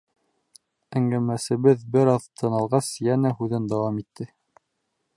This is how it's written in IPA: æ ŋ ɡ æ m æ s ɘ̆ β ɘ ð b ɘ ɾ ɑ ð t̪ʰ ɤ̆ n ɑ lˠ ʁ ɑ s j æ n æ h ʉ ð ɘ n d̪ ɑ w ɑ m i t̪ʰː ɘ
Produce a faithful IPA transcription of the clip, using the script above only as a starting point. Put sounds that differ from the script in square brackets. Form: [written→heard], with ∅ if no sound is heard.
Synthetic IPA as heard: æ ŋ ɡ æ m æ s ɘ̆ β ɘ ð b ɘ ɾ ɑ ð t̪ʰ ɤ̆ n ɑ lˠ ʁ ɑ s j æ n æ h ʉ ð ɘ n d̪ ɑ w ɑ m i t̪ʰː ɘ